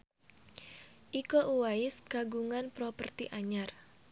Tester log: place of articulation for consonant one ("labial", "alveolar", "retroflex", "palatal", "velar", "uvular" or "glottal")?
glottal